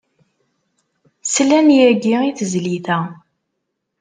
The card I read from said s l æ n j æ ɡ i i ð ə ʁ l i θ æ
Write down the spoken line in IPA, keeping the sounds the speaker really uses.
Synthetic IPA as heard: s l æ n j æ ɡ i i θ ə z l i θ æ